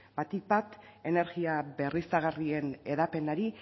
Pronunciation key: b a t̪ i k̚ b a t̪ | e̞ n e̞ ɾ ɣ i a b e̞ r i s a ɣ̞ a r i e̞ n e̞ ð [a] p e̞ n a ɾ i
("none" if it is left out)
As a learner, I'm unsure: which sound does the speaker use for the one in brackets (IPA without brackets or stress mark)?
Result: a